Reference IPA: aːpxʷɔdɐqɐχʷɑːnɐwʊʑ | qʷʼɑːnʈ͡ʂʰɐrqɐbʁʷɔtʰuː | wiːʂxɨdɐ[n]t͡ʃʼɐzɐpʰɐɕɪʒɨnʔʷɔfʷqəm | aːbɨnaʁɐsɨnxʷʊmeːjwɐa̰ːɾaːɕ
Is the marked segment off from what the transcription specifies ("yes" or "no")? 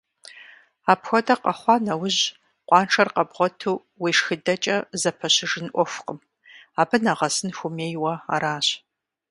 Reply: yes